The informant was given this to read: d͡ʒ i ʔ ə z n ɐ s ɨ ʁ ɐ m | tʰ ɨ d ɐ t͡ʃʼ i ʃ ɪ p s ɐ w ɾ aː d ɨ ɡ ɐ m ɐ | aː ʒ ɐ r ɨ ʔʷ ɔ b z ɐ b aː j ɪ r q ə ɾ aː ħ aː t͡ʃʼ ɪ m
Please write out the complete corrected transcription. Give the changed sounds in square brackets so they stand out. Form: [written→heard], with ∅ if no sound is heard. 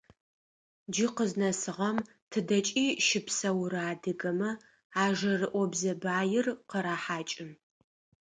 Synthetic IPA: d͡ʒ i [ʔ→q] ə z n ɐ s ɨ ʁ ɐ m | tʰ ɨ d ɐ t͡ʃʼ [i→iː] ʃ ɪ p s ɐ w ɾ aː d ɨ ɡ ɐ m ɐ | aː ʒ ɐ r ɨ ʔʷ ɔ b z ɐ b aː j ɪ r q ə ɾ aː ħ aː t͡ʃʼ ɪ m